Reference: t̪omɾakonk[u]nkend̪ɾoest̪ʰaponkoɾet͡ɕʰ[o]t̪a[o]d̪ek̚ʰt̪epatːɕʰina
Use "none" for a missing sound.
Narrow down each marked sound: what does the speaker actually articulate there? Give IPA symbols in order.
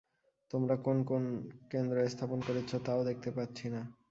o, o, o

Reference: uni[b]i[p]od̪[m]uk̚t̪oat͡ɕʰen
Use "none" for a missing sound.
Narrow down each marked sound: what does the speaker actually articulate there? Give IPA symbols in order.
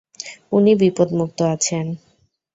b, p, m

